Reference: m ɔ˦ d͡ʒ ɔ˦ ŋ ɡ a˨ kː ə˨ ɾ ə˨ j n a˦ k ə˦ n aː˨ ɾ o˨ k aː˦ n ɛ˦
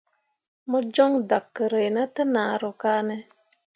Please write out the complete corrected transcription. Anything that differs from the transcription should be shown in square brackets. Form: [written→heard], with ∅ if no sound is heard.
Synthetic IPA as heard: m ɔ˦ d͡ʒ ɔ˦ ŋ [ɡ→d] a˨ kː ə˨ ɾ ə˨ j n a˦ [k→t] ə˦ n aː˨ ɾ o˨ k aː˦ n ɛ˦